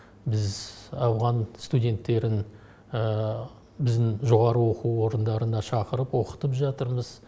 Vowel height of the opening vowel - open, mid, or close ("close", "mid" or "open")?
close